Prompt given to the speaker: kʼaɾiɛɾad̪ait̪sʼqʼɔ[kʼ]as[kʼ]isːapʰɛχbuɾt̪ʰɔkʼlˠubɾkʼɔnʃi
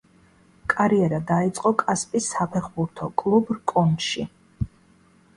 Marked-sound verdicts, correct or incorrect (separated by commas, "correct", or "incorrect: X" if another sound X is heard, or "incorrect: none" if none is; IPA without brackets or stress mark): correct, incorrect: pʼ